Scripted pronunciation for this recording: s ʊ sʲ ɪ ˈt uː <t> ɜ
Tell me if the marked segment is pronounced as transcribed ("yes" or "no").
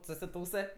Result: no